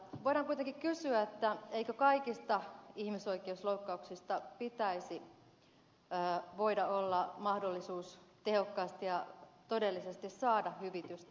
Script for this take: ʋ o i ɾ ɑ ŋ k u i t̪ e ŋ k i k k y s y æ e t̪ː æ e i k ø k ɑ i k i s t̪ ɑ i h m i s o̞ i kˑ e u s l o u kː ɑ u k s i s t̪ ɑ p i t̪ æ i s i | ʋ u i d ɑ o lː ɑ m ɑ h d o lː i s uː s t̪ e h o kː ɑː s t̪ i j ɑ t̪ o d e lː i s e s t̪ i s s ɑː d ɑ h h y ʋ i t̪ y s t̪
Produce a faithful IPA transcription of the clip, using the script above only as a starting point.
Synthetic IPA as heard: ʋ o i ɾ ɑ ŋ k u i t̪ e ŋ k i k k y s y æ e t̪ː æ e i k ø k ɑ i k i s t̪ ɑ i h m i s o̞ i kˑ e u s l o u kː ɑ u k s i s t̪ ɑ p i t̪ æ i s i | ʋ o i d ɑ o lː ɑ m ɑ h d o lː i s uː s t̪ e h o kː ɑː s t̪ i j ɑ t̪ o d e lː i s e s t̪ i s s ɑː d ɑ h h y ʋ i t̪ y s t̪